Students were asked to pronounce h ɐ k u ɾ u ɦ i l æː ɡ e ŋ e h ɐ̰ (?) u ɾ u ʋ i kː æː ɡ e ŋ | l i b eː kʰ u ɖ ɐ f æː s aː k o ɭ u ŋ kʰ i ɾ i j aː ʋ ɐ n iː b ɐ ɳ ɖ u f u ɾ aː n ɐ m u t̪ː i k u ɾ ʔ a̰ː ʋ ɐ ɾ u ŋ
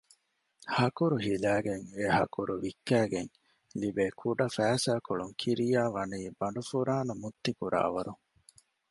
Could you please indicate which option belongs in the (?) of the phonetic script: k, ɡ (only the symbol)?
k